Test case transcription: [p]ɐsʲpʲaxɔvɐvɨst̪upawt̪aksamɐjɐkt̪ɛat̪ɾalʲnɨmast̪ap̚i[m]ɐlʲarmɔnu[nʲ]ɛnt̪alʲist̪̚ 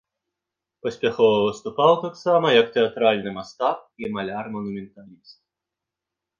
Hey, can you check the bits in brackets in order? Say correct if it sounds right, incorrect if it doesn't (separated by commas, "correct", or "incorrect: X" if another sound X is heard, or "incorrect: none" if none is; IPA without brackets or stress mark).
correct, correct, incorrect: mʲ